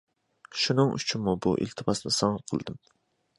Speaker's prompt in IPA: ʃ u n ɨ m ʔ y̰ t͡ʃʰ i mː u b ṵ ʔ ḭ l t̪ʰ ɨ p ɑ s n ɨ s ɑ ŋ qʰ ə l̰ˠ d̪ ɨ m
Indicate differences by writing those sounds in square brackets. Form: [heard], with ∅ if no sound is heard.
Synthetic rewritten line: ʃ u n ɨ [ŋ] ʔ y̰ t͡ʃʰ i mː u b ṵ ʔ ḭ l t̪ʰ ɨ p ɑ s n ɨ s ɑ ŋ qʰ ə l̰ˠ d̪ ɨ m

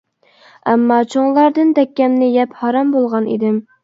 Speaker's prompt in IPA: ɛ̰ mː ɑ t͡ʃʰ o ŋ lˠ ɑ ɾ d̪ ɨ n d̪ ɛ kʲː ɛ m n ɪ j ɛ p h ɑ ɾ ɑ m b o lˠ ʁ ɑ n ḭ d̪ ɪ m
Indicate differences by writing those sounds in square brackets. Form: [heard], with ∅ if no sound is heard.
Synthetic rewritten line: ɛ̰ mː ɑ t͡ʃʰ o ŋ lˠ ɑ ɾ d̪ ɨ n d̪ ɛ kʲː ɛ m n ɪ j ɛ p h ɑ ɾ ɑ m b o lˠ ʁ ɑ n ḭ d̪ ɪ m

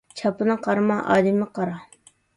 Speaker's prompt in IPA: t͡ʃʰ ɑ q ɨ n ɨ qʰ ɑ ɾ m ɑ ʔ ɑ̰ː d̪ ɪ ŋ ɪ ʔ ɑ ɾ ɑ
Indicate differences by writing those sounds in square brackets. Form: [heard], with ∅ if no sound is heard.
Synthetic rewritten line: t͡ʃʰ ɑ [p] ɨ n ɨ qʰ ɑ ɾ m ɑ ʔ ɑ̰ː d̪ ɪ [m] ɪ [q] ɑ ɾ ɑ

